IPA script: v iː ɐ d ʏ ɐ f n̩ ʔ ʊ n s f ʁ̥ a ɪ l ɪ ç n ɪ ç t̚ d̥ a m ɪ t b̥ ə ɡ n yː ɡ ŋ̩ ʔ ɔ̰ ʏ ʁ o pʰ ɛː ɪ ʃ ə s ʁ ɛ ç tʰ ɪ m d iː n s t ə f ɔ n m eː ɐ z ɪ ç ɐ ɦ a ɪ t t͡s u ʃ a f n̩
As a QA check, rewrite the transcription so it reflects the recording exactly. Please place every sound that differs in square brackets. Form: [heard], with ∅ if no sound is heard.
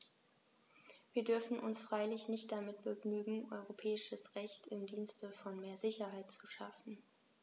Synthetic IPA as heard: v iː ɐ d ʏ ɐ f n̩ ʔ ʊ n s f ʁ̥ a ɪ l ɪ ç n ɪ ç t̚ d̥ a m ɪ t b̥ ə ɡ n yː ɡ ŋ̩ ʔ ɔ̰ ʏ ʁ o pʰ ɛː ɪ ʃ ə s ʁ ɛ ç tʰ ɪ m d iː n s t ə f ɔ n m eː ɐ z ɪ ç ɐ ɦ a ɪ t t͡s u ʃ a f n̩